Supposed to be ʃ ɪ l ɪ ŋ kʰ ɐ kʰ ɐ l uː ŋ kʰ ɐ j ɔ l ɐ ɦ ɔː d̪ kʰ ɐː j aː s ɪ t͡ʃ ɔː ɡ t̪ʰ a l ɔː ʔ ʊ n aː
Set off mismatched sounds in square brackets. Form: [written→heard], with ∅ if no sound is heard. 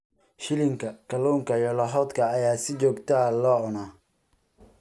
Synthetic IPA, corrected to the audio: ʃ ɪ l ɪ ŋ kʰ ɐ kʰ ɐ l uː ŋ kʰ ɐ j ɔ l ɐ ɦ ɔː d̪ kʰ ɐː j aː s ɪ t͡ʃ ɔː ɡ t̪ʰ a l ɔː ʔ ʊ n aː